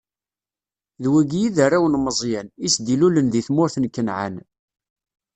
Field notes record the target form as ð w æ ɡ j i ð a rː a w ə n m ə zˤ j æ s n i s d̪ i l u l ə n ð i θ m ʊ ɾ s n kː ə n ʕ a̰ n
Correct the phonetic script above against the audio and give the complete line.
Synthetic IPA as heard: ð w æ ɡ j i ð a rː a w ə n m ə zˤ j æ n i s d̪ i l u l ə n ð i θ m ʊ ɾ θ n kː ə n ʕ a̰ n